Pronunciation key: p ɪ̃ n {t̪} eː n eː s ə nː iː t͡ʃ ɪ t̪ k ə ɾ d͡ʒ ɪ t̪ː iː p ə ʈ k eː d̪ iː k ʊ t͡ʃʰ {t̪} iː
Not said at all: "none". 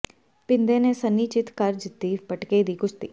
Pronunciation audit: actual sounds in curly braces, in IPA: d̪, t̪

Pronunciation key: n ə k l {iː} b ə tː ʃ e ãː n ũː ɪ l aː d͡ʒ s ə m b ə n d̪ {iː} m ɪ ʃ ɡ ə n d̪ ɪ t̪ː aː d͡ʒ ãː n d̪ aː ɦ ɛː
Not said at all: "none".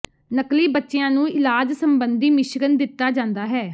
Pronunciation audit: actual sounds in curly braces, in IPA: iː, iː

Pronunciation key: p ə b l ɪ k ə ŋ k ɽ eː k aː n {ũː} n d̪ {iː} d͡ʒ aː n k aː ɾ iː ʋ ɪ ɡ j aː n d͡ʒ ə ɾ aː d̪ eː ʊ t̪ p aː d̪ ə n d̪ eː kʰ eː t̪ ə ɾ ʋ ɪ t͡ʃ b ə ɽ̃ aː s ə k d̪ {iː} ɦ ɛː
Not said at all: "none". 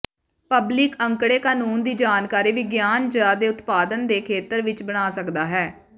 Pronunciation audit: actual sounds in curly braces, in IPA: uː, iː, aː

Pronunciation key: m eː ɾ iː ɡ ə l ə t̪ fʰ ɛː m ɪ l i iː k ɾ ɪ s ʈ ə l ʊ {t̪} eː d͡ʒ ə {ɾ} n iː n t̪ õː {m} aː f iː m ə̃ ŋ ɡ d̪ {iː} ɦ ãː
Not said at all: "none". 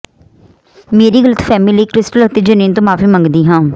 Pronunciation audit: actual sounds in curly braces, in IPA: t̪, none, m, iː

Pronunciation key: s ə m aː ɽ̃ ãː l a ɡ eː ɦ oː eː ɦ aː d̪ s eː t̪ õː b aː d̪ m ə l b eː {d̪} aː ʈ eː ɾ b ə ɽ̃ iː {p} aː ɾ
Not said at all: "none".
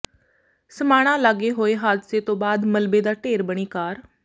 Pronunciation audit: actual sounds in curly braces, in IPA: d̪, k

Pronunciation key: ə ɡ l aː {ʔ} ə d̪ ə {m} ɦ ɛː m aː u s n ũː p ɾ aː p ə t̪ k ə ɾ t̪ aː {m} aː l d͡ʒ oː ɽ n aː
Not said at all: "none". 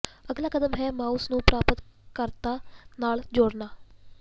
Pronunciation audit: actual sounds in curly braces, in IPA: k, m, n

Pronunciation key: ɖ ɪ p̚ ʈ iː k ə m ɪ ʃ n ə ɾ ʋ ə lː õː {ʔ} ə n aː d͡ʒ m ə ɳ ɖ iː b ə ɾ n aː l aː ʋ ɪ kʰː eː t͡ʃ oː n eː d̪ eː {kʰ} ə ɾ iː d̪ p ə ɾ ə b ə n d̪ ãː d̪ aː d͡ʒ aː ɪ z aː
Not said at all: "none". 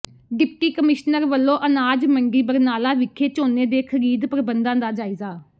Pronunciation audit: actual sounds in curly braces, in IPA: ʔ, kʰ

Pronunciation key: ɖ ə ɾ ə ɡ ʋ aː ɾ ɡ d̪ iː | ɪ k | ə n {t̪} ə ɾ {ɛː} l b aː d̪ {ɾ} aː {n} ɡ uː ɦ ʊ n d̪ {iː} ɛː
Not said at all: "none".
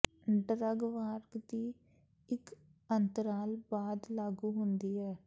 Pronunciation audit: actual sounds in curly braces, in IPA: t̪, aː, l, none, iː

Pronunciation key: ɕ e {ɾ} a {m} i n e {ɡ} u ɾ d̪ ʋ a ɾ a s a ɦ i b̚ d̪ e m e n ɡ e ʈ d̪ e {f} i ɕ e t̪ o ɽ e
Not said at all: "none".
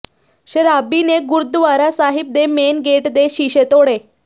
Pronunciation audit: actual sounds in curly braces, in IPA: ɾ, b, ɡ, ɕ

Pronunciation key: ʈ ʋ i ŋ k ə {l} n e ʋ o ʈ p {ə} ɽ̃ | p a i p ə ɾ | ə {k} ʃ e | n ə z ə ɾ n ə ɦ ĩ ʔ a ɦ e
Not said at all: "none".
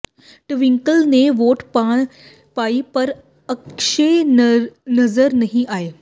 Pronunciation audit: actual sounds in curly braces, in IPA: l, a, k

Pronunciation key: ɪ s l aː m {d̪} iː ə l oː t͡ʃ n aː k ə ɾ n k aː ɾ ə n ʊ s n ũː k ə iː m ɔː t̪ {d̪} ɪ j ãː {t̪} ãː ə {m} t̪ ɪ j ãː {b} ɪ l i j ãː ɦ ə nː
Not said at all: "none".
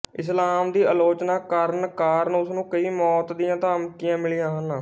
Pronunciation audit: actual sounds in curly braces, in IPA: d̪, d̪, t̪, m, m

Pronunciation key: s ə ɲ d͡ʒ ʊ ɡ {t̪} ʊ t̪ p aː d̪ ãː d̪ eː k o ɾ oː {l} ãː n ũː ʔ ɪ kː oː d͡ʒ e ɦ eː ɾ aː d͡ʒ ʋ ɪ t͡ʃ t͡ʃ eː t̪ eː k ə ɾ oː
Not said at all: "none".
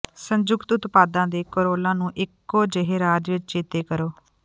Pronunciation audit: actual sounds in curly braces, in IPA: t̪, l

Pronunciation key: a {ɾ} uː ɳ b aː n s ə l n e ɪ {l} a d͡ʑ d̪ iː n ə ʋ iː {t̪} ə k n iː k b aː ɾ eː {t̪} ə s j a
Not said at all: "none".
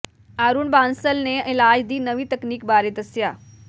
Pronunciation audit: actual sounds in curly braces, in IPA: ɾ, l, t̪, t̪

